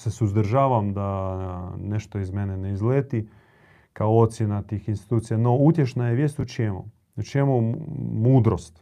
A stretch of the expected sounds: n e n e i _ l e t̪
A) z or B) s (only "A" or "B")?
A